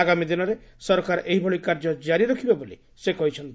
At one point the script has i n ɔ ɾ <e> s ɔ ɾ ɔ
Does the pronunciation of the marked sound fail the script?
no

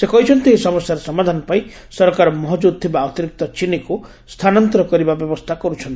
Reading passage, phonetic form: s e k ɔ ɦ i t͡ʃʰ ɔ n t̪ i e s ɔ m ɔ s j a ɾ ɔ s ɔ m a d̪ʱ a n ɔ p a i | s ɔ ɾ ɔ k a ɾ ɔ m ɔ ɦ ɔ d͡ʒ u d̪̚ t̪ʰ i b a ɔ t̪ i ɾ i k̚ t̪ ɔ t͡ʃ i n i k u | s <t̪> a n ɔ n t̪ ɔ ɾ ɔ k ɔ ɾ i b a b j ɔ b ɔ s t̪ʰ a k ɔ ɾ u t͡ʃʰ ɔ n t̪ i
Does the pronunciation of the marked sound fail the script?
yes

